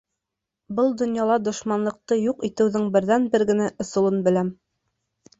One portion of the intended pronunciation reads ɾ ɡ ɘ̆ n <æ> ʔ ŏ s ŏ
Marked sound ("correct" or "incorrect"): correct